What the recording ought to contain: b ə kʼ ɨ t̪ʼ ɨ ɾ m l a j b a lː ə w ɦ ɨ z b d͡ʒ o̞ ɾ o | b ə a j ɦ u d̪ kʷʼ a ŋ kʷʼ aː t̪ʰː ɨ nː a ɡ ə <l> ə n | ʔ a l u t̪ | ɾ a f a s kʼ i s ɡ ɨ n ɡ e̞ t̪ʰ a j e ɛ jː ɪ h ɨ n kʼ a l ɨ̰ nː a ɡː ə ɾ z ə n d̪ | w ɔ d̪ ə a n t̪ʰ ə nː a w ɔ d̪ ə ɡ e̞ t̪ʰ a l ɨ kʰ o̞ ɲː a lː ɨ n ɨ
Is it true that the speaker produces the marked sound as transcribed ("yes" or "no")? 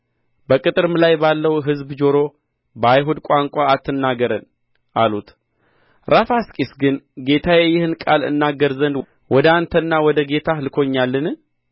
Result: no